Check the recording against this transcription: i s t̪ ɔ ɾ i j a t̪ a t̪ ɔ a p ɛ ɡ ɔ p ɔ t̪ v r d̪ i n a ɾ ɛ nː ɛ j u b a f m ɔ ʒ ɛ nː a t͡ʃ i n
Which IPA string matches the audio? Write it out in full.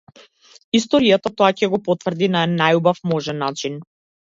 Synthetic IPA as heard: i s t̪ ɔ ɾ i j a t̪ a t̪ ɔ a c ɛ ɡ ɔ p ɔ t̪ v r d̪ i n a ɛ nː a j u b a f m ɔ ʒ ɛ nː a t͡ʃ i n

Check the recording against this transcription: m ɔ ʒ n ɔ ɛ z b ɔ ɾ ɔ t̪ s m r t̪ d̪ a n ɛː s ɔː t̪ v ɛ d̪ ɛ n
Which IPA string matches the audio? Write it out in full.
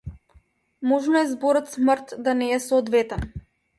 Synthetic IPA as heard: m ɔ ʒ n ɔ ɛ z b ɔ ɾ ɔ t̪ s m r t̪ d̪ a n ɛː s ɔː d̪ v ɛ t̪ ɛ n

